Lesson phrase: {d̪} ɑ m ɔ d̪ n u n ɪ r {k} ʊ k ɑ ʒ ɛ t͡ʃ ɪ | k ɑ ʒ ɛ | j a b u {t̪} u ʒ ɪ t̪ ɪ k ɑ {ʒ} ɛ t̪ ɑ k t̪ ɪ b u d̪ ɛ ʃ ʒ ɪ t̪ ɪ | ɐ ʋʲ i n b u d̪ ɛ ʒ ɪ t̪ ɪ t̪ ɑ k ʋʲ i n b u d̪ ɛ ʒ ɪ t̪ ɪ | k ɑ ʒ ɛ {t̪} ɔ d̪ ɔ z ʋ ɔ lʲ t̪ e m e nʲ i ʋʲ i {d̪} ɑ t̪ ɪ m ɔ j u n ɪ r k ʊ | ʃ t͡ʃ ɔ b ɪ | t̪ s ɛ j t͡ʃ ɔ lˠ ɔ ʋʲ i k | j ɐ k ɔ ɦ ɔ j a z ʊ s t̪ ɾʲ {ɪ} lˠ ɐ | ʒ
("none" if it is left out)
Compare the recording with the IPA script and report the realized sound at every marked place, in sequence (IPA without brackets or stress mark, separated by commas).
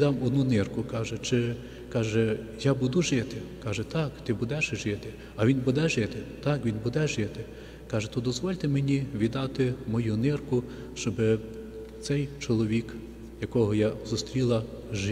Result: d̪, k, d̪, ʒ, t̪, d̪, i